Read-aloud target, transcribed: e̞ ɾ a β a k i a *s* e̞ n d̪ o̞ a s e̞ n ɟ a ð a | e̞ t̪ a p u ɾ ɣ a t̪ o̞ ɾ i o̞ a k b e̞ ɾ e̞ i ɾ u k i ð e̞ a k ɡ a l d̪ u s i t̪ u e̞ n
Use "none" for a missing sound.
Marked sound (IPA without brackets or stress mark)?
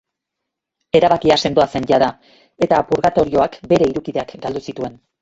s